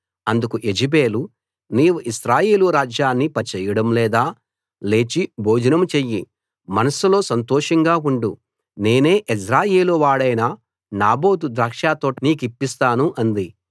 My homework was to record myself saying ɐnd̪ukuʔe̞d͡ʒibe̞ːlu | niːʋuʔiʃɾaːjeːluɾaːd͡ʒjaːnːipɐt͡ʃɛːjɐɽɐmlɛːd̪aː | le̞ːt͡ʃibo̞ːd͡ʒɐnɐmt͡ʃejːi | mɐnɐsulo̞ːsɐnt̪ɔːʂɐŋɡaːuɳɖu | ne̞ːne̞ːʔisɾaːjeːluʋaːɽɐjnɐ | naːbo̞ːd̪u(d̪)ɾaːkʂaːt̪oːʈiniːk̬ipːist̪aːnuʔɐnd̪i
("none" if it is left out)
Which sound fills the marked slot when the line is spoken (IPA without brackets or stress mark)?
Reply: d̪